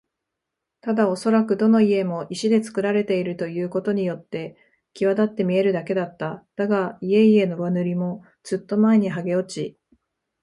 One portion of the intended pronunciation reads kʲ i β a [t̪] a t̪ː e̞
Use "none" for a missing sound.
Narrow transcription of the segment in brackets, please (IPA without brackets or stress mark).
d̪